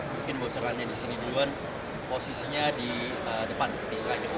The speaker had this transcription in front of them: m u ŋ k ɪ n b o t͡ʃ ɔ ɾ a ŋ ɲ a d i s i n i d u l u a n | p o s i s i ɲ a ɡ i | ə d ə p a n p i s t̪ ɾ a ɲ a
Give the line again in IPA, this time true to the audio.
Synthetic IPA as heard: m u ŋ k ɪ n b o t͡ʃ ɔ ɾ a n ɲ a d i s i n i d u l u a n | p o s i s i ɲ a d i | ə d ə p a n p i s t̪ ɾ a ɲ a